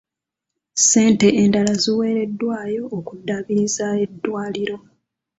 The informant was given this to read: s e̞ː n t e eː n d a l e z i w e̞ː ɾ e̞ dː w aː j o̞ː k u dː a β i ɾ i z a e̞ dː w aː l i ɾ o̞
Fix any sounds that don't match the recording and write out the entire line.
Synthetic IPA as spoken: s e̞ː n t e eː n d a l a z i w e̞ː ɾ e̞ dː w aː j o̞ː k u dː a β i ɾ i z a e̞ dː w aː l i ɾ o̞